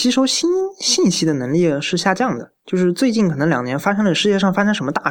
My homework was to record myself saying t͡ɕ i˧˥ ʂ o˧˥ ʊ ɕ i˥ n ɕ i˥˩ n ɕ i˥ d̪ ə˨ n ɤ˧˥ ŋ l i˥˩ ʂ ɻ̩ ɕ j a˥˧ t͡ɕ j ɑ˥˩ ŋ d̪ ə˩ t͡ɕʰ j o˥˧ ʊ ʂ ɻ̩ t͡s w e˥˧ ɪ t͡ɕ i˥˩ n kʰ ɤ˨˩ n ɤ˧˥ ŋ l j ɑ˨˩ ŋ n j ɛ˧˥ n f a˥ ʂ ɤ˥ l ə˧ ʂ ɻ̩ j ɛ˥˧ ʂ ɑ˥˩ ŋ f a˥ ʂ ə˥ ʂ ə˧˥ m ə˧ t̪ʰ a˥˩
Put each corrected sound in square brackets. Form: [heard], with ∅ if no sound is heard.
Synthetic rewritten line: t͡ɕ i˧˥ ʂ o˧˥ ʊ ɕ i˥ n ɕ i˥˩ n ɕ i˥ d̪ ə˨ n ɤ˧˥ ŋ l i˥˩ ʂ ɻ̩ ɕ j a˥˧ t͡ɕ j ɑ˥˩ ŋ d̪ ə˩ [t͡ɕ] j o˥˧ ʊ ʂ ɻ̩ t͡s w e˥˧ ɪ t͡ɕ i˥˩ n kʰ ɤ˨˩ n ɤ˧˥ ŋ l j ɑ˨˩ ŋ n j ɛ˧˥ n f a˥ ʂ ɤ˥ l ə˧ ʂ ɻ̩ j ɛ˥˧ ʂ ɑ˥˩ ŋ f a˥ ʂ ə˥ ʂ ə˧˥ m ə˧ [t̪] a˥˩